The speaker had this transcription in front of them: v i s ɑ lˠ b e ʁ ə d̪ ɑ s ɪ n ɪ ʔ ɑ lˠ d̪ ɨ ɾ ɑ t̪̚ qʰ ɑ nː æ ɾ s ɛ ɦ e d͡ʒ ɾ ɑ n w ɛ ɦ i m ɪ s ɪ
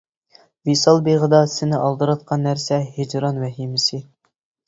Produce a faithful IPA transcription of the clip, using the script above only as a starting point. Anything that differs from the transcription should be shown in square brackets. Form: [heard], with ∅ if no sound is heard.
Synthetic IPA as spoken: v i s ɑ lˠ b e ʁ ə d̪ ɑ s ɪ n ɪ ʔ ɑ lˠ d̪ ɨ ɾ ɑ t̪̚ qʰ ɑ nː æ ɾ s ɛ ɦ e d͡ʒ ɾ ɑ n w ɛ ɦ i m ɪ s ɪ